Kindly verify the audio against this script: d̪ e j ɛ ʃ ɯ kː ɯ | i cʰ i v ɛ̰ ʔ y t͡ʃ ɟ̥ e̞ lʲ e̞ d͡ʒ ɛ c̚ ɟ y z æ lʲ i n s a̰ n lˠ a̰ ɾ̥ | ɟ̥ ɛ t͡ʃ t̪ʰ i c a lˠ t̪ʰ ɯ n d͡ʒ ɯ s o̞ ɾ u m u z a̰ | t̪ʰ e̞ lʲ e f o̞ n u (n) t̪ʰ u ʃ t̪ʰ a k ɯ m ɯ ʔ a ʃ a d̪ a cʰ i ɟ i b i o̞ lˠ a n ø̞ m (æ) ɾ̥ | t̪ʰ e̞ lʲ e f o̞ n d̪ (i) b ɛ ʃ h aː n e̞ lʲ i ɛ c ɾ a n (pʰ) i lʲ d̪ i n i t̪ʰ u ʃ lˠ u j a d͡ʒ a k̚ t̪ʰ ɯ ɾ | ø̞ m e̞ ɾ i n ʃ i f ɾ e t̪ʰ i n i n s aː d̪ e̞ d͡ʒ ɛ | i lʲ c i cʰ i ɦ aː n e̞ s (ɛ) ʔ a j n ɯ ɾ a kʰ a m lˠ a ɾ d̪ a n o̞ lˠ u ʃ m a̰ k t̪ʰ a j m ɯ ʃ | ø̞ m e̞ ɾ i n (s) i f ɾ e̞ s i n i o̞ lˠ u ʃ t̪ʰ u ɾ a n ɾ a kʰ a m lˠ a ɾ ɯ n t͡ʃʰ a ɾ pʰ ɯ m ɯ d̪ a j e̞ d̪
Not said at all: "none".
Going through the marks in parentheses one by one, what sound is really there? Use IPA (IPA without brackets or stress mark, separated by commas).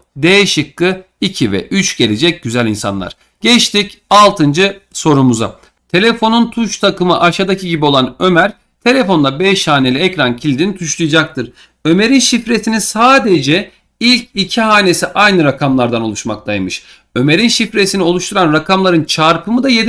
n, æ, a, cʰ, i, ʃ